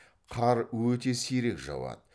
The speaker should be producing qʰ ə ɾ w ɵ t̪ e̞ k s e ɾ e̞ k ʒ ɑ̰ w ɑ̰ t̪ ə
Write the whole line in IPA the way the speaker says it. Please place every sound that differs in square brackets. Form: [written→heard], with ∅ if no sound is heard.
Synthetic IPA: qʰ [ə→ɑ] ɾ w ɵ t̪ e̞ [k→∅] s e ɾ e̞ k ʒ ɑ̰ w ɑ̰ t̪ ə